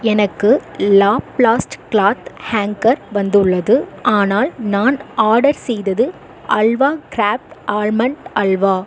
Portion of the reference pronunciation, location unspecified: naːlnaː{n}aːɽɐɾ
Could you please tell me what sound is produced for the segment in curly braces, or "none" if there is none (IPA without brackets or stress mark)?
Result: n